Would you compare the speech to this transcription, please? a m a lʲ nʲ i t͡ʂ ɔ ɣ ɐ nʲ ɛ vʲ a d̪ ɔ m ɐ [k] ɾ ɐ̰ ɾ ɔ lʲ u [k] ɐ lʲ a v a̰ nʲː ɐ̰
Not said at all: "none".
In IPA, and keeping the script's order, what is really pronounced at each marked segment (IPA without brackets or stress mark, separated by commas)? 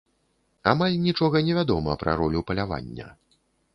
p, p